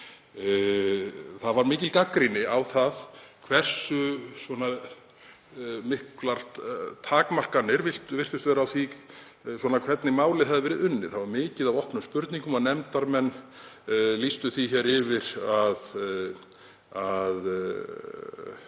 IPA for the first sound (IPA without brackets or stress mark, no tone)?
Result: θ